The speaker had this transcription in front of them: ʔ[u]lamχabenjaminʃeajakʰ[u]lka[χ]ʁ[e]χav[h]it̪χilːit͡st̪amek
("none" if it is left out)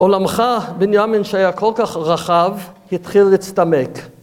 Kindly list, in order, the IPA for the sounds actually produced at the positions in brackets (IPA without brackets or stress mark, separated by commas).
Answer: o, o, χ, a, h